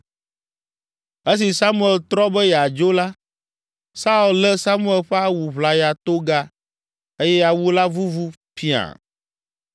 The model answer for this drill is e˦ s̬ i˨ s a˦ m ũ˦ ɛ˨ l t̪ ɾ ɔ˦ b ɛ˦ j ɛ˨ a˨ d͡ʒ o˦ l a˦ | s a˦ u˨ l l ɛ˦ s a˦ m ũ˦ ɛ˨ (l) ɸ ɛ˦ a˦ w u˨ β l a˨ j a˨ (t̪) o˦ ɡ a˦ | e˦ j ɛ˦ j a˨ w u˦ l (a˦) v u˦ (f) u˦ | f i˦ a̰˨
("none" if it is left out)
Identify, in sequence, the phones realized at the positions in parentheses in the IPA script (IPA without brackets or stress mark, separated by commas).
l, t̪, a˦, v